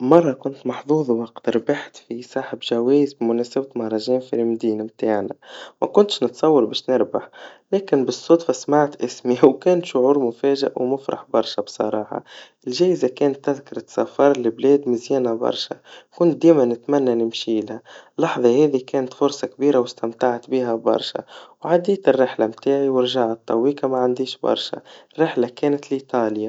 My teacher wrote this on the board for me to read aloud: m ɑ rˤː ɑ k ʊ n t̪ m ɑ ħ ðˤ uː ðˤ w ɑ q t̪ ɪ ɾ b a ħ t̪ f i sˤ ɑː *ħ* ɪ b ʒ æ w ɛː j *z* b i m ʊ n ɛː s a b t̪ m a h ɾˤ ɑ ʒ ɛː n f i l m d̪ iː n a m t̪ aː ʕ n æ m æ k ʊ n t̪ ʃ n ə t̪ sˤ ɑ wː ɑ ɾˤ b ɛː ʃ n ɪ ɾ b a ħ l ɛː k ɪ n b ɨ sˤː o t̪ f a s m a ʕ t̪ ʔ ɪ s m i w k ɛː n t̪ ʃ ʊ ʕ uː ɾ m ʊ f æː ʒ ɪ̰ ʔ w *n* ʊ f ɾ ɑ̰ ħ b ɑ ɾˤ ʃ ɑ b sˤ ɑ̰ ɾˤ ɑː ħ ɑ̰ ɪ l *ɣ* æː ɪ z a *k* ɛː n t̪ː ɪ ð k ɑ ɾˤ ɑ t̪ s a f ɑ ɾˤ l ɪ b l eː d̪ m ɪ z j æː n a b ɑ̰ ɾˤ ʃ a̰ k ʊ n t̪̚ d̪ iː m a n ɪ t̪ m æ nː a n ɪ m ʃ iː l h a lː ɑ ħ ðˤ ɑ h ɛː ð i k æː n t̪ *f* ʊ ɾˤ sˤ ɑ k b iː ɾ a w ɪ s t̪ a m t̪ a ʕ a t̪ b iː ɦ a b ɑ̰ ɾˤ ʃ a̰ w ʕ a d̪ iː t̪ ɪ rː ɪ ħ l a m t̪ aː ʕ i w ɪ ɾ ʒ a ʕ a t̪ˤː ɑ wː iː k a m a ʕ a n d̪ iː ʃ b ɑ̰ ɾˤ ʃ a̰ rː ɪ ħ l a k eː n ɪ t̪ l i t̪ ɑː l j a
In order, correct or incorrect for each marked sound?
correct, correct, incorrect, incorrect, correct, correct

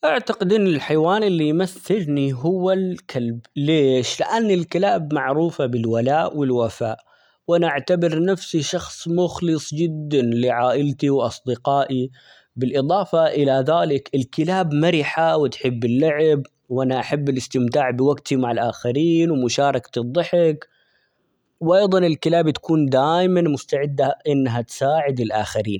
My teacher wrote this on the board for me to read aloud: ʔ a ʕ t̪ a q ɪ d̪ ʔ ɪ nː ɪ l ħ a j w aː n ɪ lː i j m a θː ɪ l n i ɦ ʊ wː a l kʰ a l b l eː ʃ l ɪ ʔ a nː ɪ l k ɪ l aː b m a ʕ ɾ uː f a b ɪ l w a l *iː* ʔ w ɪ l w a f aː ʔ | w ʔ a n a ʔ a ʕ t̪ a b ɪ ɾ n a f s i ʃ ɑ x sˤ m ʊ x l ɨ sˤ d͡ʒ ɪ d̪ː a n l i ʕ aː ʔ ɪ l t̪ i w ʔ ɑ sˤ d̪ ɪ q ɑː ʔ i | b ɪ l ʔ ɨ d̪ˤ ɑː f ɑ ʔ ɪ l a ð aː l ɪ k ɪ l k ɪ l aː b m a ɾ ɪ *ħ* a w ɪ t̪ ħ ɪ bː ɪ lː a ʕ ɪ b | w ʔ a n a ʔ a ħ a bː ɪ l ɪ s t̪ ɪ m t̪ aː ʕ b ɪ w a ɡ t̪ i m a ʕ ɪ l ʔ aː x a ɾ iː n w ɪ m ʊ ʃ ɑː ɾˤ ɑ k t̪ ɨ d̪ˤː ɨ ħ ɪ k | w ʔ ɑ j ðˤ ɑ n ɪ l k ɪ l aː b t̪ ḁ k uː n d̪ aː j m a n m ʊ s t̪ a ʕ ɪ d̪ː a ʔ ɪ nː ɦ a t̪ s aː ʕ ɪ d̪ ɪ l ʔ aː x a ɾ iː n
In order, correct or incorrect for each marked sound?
incorrect, correct

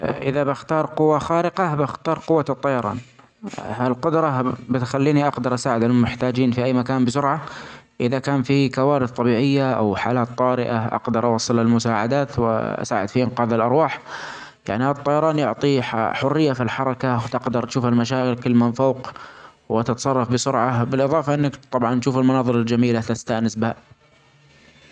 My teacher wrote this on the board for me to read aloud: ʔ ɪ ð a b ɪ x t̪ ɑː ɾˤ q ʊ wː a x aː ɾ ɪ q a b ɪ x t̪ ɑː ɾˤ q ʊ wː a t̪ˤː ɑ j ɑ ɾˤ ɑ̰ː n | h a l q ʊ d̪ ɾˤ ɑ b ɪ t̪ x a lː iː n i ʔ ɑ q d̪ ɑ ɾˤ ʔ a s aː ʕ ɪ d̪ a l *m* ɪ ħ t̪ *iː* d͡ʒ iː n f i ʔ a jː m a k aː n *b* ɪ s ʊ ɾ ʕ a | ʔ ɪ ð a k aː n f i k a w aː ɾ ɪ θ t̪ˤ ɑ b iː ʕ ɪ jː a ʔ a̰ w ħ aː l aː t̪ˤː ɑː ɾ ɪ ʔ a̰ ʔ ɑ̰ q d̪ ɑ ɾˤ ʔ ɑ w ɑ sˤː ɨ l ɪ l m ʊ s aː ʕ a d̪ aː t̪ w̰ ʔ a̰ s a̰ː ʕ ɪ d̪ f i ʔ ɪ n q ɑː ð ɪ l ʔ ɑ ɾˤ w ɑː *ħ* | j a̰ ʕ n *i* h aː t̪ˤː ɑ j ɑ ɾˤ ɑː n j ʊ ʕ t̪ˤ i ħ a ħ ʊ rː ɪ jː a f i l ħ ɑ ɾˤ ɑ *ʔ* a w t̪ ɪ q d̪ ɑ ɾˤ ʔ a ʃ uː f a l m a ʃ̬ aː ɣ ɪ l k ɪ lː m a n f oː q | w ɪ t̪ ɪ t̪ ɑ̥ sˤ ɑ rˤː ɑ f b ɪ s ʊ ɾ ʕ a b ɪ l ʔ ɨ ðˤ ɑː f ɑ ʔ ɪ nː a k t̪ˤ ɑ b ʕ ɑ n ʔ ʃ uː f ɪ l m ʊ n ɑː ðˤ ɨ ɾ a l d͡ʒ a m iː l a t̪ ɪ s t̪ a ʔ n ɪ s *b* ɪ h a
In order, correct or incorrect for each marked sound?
correct, incorrect, correct, correct, correct, incorrect, correct

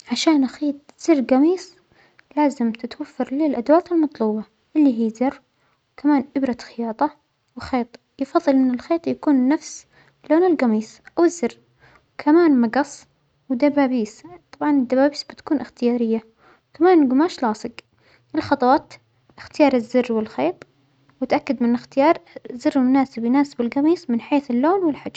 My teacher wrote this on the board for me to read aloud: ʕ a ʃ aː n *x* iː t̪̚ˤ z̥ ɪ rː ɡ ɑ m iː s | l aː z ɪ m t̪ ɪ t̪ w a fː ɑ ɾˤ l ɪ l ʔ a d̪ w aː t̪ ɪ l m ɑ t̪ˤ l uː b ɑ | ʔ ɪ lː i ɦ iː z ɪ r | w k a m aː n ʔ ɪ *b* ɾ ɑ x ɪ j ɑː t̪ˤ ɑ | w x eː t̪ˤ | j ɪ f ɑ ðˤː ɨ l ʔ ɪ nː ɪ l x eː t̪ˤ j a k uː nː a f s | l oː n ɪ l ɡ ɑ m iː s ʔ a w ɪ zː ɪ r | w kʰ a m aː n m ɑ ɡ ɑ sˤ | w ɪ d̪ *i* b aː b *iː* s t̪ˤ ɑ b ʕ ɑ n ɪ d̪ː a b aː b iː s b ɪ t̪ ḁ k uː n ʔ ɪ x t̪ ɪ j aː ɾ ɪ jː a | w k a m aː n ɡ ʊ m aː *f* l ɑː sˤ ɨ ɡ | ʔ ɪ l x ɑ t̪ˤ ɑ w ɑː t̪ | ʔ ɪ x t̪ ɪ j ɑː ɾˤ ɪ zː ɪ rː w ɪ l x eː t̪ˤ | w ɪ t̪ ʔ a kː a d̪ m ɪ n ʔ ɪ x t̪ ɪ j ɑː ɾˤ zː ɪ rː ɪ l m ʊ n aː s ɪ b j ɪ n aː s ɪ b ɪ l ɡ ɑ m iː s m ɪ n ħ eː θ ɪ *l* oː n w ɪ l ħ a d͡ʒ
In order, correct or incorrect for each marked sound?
correct, correct, incorrect, correct, incorrect, incorrect

